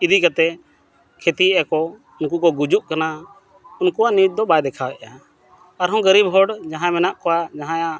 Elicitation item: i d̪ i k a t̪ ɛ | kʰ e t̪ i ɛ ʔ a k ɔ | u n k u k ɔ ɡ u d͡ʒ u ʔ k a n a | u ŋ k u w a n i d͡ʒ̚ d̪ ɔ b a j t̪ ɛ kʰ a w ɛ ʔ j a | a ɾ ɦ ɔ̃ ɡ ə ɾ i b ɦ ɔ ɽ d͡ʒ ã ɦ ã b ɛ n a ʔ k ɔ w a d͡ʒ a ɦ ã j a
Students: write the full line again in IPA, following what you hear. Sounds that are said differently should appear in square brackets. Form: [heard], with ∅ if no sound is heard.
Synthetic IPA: i d̪ i k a t̪ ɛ | kʰ e t̪ i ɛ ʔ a k ɔ | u n k u k ɔ ɡ u d͡ʒ u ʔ k a n a | u [n] k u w a n i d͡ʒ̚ d̪ ɔ b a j [d̪] ɛ kʰ a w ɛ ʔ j a | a ɾ ɦ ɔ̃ ɡ ə ɾ i b ɦ ɔ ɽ d͡ʒ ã ɦ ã [m] ɛ n a ʔ k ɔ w a d͡ʒ a ɦ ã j a